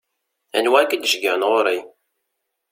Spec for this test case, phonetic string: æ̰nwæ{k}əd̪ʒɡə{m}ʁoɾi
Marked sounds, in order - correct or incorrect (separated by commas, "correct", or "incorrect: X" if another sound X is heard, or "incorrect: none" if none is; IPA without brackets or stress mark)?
correct, incorrect: n